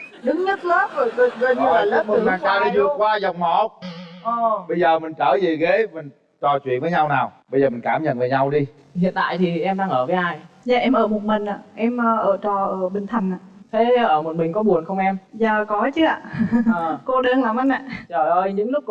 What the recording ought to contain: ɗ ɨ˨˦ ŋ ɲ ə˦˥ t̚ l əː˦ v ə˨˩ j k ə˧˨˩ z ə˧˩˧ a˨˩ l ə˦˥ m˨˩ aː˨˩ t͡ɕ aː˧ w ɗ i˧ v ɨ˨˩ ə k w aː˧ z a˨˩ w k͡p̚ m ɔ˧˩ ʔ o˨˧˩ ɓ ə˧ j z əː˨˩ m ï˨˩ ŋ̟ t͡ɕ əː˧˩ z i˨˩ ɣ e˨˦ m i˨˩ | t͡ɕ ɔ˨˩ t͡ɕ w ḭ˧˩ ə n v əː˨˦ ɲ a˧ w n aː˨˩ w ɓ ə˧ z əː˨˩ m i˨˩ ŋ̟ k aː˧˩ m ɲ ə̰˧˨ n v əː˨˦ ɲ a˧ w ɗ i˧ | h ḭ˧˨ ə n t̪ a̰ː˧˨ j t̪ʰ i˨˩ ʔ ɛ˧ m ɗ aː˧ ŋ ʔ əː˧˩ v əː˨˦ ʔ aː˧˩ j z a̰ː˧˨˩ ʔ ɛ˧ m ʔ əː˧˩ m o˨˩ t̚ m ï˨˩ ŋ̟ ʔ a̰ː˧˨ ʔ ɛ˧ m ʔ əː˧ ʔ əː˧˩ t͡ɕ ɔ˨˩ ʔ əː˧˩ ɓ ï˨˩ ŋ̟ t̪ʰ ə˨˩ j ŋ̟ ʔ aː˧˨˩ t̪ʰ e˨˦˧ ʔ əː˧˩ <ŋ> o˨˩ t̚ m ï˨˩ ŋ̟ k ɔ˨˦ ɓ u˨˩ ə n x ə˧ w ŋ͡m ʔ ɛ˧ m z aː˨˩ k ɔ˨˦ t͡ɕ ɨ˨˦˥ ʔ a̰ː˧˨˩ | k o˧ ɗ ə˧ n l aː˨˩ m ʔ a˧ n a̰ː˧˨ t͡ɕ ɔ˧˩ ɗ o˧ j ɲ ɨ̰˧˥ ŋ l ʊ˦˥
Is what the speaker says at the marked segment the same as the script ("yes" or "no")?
no